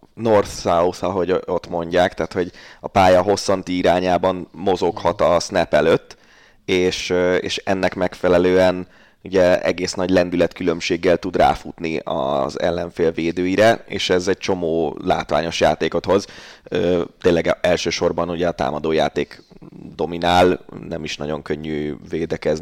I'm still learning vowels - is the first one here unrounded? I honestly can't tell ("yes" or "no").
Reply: no